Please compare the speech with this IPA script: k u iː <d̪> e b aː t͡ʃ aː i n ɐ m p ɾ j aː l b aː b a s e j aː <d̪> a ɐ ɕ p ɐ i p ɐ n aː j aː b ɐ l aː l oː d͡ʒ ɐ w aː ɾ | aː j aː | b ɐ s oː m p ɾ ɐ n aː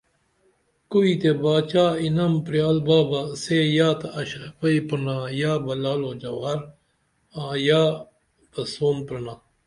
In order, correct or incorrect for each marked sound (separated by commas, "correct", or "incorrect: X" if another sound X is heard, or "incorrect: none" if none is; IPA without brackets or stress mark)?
incorrect: t̪, incorrect: t̪